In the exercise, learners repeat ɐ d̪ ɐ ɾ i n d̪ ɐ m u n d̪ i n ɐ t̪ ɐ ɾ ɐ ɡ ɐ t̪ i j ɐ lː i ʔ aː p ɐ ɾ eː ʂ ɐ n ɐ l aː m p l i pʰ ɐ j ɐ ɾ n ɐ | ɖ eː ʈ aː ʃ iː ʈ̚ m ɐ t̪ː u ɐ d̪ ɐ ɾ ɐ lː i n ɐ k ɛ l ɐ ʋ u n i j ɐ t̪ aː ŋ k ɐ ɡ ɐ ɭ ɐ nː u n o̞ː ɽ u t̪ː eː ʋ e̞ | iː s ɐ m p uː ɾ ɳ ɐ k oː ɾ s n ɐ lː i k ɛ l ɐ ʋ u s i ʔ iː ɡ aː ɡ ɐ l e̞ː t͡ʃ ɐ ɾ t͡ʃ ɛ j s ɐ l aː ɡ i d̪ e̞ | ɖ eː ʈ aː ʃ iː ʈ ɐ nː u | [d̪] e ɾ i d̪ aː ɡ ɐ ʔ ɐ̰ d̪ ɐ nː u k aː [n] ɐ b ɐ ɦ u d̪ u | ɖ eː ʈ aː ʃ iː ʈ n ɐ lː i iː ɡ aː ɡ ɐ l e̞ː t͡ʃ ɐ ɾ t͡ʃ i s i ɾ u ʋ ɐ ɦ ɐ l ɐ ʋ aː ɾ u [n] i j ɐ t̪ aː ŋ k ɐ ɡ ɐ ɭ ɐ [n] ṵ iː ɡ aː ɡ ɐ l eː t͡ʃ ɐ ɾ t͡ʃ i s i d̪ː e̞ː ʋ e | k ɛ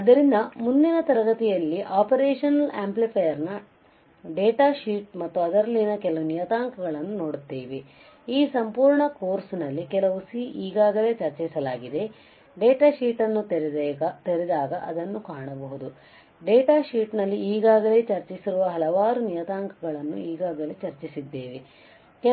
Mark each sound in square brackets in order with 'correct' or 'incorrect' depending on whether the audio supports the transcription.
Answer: incorrect: t̪, incorrect: ɳ, correct, incorrect: nː

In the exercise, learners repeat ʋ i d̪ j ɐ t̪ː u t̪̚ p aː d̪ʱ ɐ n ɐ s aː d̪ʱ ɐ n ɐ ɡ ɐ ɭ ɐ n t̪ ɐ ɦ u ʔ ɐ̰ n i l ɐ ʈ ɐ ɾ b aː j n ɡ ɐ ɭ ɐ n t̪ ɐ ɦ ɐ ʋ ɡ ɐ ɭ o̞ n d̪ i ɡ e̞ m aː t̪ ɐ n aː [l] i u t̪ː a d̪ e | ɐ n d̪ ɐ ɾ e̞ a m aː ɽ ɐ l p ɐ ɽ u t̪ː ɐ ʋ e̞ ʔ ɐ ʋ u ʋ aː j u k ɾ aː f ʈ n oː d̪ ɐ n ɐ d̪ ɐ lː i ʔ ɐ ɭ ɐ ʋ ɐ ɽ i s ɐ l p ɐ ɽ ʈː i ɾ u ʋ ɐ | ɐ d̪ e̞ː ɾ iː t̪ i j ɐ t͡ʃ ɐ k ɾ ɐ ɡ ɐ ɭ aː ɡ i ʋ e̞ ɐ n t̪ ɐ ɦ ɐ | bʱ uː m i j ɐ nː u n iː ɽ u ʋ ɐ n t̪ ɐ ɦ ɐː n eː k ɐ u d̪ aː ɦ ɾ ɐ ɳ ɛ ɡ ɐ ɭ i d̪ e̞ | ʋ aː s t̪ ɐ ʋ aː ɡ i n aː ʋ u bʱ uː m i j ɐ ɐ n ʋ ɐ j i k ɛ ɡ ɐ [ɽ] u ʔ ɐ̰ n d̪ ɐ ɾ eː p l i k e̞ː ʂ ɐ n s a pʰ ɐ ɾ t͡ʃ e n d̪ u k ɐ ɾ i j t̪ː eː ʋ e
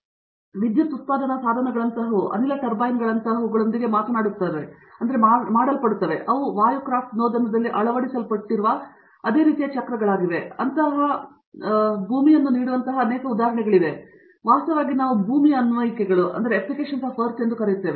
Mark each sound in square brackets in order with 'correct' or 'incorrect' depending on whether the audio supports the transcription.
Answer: incorrect: ɽ, incorrect: ɭ

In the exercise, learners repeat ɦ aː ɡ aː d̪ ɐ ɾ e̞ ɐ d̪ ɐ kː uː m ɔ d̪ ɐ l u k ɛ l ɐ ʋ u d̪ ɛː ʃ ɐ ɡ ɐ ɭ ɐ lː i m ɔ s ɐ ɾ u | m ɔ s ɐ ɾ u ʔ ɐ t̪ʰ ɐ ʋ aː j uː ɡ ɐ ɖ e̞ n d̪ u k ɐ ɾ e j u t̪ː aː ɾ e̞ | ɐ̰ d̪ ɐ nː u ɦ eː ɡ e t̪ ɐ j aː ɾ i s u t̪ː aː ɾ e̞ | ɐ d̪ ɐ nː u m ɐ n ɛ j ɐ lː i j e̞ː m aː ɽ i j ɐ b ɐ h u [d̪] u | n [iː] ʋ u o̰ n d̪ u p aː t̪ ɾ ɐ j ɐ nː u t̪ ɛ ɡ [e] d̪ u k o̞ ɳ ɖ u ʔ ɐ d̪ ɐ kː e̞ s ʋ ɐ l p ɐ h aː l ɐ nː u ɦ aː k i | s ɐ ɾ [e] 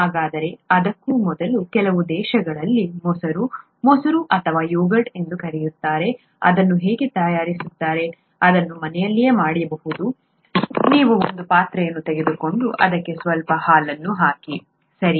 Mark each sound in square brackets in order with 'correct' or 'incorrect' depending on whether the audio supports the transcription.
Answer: correct, correct, correct, incorrect: i

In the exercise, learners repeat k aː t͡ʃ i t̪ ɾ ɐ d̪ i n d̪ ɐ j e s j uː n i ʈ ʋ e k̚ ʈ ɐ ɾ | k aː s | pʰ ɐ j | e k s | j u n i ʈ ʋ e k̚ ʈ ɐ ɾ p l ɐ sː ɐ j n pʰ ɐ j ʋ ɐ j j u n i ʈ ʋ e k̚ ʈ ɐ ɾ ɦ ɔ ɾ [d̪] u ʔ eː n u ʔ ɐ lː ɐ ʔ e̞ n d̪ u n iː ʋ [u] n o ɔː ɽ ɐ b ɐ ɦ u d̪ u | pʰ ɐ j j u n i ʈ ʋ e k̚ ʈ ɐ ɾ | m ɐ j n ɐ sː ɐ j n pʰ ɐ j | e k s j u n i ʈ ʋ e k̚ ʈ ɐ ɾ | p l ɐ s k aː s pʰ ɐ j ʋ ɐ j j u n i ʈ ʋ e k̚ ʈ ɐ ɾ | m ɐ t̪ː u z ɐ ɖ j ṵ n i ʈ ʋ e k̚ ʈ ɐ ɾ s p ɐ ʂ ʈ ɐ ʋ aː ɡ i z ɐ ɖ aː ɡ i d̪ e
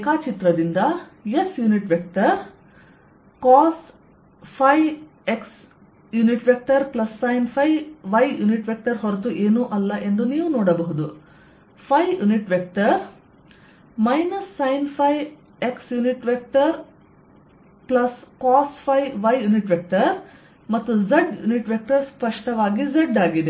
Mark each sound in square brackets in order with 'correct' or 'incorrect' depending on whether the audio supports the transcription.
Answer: incorrect: t̪, correct

